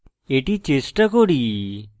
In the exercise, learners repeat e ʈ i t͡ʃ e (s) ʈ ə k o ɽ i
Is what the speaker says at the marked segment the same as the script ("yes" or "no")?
yes